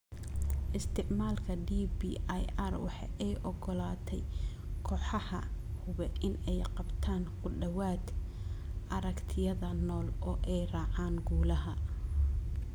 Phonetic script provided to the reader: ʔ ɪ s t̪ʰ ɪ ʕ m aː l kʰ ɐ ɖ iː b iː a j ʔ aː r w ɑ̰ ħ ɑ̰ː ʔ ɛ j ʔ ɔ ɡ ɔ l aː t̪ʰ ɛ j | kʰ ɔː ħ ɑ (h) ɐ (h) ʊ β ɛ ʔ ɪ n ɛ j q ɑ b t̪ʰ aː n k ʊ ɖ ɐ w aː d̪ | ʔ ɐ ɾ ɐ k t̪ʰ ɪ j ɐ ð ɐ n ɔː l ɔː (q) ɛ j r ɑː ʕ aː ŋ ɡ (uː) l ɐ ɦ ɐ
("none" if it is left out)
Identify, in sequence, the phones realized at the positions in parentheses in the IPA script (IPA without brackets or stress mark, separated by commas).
h, h, ʔ, uː